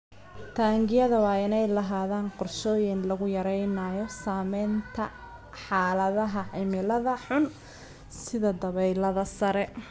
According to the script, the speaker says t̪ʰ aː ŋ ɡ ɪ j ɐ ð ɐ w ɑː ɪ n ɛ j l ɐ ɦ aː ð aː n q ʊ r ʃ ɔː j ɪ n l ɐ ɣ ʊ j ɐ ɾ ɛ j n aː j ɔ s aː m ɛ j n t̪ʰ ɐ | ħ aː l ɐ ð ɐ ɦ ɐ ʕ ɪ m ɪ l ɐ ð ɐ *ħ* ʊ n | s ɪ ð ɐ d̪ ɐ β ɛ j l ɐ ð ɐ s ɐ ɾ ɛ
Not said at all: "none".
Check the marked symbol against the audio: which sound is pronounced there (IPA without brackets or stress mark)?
ħ